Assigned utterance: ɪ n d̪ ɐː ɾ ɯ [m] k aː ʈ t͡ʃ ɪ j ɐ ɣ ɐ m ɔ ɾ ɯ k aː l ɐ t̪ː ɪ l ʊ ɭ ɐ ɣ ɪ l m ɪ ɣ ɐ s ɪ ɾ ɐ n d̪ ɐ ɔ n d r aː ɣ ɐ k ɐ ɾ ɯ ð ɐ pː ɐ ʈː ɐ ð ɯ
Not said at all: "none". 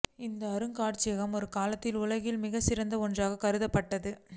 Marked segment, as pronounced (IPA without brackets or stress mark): ŋ